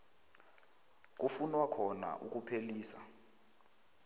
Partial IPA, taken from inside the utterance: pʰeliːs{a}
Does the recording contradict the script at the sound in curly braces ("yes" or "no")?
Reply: no